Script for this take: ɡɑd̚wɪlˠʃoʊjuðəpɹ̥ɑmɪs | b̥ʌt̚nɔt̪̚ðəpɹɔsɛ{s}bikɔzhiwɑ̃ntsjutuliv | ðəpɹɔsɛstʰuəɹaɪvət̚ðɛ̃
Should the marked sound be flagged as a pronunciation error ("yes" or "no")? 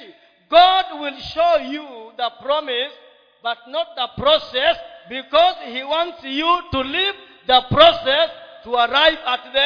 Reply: no